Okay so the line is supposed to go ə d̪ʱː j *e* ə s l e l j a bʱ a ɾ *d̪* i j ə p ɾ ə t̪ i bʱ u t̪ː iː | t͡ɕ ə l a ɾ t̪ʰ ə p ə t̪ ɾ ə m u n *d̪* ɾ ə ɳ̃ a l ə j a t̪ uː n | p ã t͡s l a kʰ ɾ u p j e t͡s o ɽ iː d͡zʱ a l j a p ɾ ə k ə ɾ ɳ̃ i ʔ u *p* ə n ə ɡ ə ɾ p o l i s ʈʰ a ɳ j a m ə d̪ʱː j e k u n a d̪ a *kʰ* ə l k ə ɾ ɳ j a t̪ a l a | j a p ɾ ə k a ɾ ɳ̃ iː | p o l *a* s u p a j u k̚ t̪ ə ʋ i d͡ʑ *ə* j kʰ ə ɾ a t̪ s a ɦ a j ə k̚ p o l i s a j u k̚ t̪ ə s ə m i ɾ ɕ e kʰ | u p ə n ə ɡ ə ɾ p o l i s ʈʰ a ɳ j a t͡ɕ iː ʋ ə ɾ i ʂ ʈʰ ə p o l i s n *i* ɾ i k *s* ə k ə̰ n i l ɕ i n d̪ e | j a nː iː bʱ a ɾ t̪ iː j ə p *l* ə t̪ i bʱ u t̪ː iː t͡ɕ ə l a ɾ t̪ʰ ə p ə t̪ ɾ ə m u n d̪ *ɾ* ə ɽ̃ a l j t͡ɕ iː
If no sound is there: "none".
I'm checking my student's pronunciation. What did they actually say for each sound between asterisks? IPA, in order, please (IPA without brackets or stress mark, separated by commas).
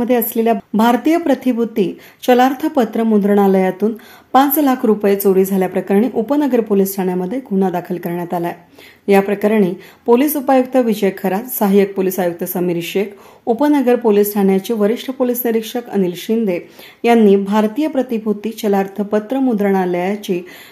e, t̪, d̪, p, kʰ, i, ə, i, ʂ, ɾ, ɾ